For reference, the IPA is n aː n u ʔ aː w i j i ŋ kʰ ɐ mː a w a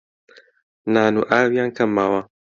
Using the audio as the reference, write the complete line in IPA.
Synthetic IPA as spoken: n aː n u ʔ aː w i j a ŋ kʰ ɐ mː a w a